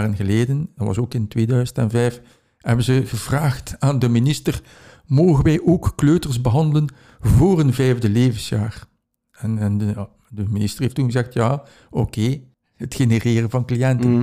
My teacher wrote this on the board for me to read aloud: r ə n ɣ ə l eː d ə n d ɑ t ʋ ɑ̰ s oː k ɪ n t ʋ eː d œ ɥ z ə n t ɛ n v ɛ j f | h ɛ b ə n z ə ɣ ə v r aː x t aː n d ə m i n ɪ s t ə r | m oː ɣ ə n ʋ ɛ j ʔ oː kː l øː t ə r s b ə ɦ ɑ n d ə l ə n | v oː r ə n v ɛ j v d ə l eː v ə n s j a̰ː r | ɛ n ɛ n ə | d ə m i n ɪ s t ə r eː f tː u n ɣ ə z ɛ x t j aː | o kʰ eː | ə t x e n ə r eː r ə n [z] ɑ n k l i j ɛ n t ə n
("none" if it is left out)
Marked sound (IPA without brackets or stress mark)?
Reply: v